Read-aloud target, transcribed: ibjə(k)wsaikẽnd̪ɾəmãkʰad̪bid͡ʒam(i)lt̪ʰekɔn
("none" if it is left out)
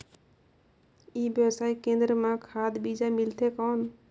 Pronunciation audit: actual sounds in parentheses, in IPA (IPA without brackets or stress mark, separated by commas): none, i